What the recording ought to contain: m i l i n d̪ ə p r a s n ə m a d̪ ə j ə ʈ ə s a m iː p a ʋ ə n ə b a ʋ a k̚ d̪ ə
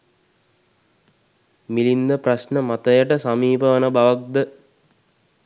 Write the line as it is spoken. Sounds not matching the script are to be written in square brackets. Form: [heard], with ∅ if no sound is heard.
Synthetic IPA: m i l i n d̪ ə p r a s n ə m a [t̪] ə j ə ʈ ə s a m iː p [ə] ʋ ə n ə b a ʋ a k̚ d̪ ə